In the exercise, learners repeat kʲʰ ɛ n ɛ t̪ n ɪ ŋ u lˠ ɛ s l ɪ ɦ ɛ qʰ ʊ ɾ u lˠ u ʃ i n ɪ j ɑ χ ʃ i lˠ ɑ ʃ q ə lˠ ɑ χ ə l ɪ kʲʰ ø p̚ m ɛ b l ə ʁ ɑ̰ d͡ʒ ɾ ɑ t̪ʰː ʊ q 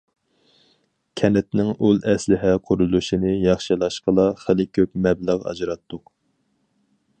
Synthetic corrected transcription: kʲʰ ɛ n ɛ t̪ n ɪ ŋ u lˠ ɛ s l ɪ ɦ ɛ qʰ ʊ ɾ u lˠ u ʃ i n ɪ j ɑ χ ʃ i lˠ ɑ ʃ q ə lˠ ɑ χ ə l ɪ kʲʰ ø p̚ m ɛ b l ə ʁ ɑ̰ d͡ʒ ɾ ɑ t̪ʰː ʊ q